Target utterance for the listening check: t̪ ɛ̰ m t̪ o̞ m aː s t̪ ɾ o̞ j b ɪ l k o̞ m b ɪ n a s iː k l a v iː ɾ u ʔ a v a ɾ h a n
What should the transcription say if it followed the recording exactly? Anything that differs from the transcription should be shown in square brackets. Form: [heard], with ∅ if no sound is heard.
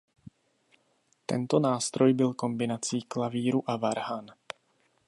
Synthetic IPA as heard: t̪ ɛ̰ [n] t̪ o̞ [n] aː s t̪ ɾ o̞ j b ɪ l k o̞ m b ɪ n a [t͡s] iː k l a v iː ɾ u ʔ a v a ɾ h a n